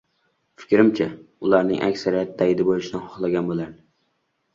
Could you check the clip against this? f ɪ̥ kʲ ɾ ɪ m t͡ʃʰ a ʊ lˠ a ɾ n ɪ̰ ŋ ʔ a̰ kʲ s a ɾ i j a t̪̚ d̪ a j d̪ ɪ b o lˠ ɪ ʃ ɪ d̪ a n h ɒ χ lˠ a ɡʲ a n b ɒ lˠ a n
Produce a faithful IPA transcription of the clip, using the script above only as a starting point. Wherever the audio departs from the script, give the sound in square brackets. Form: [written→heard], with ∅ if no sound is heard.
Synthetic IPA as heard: f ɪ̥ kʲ ɾ ɪ m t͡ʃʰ a ʊ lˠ a ɾ n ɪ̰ ŋ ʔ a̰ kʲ s a ɾ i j a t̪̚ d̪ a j d̪ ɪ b o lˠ ɪ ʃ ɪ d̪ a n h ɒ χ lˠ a ɡʲ a n b [ɒ→o] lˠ a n